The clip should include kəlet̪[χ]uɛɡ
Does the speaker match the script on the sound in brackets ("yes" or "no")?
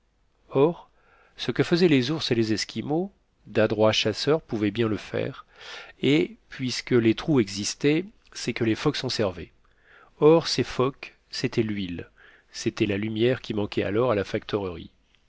yes